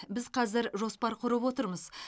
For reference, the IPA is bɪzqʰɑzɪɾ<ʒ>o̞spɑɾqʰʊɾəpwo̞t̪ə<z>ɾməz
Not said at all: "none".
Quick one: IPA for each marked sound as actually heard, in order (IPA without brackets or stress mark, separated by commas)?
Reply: ʒ, none